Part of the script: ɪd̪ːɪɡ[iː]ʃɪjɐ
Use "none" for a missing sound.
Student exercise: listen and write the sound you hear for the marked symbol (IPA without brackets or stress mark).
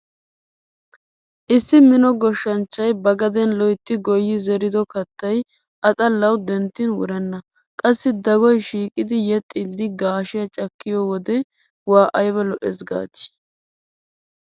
aː